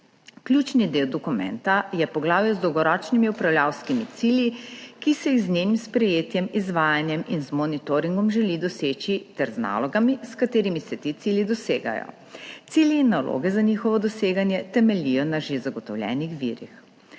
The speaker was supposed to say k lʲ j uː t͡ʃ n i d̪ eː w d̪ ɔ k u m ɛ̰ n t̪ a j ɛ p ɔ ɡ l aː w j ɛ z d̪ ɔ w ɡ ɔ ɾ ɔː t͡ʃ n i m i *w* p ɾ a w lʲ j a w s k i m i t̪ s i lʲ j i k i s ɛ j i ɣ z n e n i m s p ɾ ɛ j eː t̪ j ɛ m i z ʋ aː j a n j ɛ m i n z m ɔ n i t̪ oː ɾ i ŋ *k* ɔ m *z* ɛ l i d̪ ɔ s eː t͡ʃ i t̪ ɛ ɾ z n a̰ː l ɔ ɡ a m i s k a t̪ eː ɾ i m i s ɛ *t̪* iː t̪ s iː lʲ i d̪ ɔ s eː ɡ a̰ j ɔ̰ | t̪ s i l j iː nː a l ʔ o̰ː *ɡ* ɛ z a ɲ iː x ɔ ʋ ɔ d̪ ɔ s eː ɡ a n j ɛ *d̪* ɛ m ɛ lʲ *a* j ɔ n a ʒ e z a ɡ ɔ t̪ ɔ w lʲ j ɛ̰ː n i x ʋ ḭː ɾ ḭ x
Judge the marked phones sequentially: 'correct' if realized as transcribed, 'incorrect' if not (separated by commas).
incorrect, incorrect, incorrect, correct, correct, incorrect, incorrect